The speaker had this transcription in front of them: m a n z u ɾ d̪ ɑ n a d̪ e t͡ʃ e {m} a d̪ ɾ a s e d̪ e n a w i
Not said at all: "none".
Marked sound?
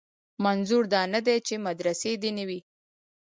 m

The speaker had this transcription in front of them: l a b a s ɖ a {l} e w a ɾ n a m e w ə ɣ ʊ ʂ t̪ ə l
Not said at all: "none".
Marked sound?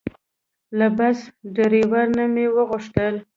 ɾ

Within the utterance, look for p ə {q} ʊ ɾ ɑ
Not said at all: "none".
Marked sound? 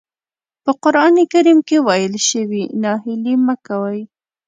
q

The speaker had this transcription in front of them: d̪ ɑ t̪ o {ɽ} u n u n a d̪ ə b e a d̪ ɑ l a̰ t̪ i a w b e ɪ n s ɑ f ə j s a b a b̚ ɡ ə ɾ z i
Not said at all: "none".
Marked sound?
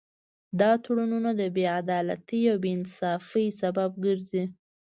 ɽ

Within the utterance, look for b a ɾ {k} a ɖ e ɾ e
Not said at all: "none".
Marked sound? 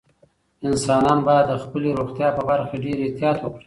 x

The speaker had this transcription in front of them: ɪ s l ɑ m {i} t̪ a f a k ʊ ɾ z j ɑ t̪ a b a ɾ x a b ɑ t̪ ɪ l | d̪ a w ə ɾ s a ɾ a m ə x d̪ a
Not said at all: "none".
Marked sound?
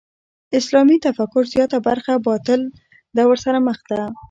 i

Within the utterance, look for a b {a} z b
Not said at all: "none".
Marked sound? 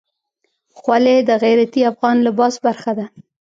ɑ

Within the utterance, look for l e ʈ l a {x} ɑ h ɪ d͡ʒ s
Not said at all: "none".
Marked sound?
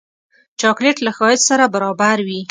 x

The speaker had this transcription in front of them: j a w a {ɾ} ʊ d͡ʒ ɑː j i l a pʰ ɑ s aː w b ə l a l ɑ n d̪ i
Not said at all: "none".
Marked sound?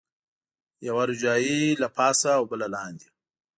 ɾ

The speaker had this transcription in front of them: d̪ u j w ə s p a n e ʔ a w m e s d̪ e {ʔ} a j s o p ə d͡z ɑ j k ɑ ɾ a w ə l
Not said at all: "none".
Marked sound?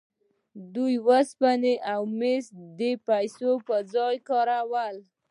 p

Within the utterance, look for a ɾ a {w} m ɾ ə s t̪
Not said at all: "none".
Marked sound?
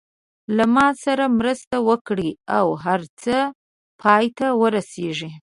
none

